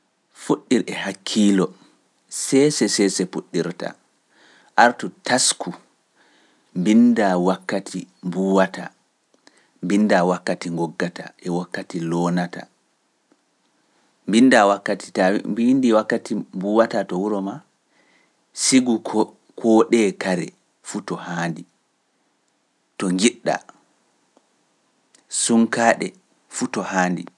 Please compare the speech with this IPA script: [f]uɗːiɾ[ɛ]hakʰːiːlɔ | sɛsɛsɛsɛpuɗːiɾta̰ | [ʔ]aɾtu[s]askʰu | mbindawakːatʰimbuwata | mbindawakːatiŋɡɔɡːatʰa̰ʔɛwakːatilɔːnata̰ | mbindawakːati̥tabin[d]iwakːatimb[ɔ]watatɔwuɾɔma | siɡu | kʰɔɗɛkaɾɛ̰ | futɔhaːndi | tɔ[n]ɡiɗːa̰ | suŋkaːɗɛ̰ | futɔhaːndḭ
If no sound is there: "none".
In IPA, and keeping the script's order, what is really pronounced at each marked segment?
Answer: f, ɛ, ʔ, t, d, u, ŋ

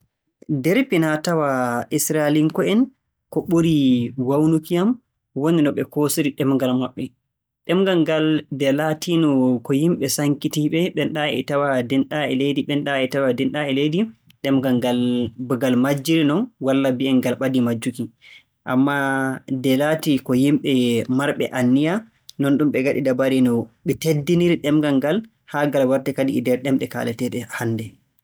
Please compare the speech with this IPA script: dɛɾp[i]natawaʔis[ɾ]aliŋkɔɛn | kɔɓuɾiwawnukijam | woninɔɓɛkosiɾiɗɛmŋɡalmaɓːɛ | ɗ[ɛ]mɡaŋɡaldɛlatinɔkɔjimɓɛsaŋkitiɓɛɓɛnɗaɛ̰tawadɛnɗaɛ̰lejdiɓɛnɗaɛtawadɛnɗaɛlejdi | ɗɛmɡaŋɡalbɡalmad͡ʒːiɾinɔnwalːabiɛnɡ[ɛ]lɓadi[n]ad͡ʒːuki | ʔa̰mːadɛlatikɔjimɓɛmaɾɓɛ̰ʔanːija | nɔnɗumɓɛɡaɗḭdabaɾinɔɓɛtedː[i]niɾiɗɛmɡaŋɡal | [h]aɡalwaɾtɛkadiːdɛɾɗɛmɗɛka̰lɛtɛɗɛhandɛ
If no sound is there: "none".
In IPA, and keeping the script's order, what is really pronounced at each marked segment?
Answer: i, ɾ, ɛ, a, m, i, h

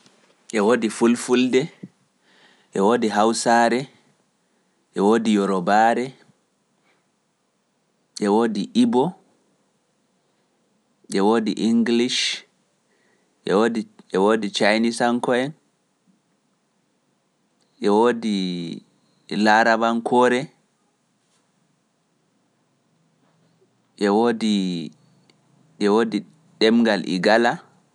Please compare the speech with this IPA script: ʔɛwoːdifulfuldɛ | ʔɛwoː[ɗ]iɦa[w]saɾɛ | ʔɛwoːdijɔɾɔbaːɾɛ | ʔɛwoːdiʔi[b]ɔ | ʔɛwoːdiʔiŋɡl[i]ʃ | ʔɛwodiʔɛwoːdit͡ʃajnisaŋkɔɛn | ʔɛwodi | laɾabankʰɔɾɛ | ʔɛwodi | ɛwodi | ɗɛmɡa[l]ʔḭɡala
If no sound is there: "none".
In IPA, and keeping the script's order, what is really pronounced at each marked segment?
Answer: d, w, b, i, l

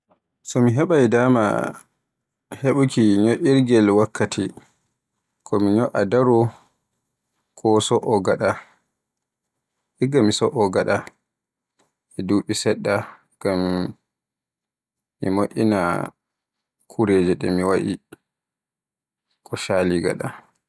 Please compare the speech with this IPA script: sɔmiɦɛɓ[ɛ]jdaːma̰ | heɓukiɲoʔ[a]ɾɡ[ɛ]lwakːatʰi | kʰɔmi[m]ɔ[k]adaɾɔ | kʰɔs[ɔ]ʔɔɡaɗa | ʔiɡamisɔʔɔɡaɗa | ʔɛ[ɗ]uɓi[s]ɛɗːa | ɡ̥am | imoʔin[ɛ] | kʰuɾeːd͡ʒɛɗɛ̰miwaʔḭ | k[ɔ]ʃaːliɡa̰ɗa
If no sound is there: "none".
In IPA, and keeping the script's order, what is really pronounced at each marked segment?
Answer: a, i, ɛ, ɲ, ʔ, ɔ, d, s, a, ɔ

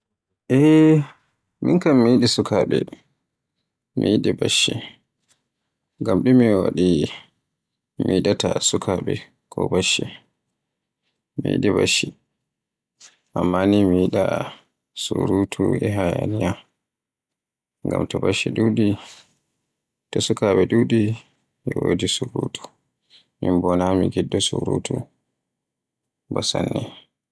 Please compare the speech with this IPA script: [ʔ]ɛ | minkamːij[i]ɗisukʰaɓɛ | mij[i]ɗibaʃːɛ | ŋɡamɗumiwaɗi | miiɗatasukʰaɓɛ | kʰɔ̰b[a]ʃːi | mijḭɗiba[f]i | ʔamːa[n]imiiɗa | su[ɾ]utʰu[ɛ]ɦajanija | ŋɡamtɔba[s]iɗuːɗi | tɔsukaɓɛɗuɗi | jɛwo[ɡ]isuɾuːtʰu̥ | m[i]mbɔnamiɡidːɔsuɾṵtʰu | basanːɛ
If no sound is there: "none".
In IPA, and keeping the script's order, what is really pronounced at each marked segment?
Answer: ʔ, i, i, a, ʃ, n, ɾ, ɛ, ʃ, d, i

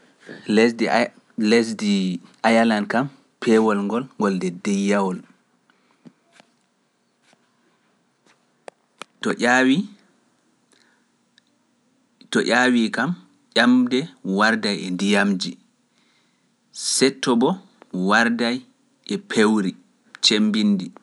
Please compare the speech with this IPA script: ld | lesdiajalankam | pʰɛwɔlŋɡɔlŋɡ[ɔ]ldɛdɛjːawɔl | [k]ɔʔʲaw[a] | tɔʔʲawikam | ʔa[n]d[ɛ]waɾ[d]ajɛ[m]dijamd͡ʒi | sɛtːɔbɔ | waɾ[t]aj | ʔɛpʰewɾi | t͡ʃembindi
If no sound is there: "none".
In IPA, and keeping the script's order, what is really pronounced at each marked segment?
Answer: ɔ, t, i, m, ɛ, d, n, d

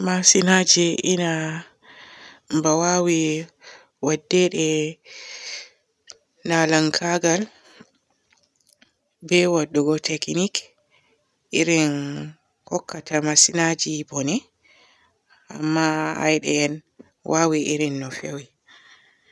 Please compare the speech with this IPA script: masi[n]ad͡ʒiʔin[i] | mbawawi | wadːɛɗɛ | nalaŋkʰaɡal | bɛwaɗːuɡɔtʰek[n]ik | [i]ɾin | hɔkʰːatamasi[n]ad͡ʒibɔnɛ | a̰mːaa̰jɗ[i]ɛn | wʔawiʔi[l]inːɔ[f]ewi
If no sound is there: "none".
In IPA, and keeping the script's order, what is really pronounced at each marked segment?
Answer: n, a, n, i, n, ɛ, ɾ, f

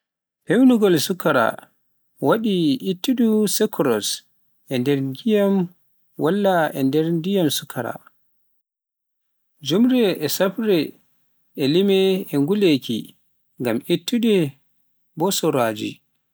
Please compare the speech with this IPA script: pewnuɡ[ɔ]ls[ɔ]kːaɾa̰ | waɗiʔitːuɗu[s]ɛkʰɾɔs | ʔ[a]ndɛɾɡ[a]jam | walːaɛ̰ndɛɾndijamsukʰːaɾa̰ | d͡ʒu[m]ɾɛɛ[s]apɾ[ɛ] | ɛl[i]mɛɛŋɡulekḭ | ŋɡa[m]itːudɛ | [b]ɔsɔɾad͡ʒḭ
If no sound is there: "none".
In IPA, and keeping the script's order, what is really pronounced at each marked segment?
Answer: ɔ, u, s, ɛ, i, m, s, ɛ, i, m, b

